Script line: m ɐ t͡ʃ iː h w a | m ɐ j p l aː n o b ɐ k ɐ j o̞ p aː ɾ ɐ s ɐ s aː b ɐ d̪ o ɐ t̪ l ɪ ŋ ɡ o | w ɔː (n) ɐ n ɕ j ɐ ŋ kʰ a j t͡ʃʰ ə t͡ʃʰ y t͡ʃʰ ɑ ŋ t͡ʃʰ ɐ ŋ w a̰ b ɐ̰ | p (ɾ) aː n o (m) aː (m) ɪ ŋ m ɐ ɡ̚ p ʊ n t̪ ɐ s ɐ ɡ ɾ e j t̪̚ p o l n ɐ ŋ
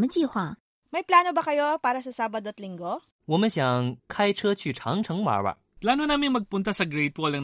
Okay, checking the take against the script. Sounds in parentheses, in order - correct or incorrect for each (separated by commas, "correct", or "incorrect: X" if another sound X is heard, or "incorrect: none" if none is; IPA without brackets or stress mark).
incorrect: m, incorrect: l, incorrect: n, correct